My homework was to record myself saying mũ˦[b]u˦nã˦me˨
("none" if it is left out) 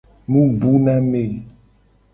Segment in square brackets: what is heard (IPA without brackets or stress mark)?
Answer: b